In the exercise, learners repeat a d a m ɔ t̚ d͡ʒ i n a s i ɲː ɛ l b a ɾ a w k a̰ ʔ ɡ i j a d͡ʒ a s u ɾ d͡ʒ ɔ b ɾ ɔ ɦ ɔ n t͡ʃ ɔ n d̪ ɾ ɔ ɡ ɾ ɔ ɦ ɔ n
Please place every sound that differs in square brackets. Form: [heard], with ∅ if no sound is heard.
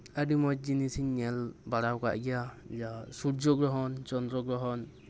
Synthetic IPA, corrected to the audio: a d [i] m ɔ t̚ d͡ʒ i n [i] s i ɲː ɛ l b a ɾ a w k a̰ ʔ ɡ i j a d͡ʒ a s u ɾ d͡ʒ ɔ [ɡ] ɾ ɔ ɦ ɔ n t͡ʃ ɔ n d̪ ɾ ɔ ɡ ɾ ɔ ɦ ɔ n